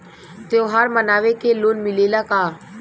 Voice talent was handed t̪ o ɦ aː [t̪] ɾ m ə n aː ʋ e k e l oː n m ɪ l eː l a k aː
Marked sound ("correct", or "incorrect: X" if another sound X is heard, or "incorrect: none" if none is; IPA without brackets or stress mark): incorrect: none